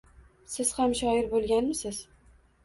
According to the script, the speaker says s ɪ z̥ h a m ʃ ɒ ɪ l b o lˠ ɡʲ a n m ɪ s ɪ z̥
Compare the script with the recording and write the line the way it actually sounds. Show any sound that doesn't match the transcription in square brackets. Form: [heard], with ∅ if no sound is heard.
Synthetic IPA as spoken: s ɪ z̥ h a m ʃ ɒ ɪ [ɾ] b o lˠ ɡʲ a n m ɪ s ɪ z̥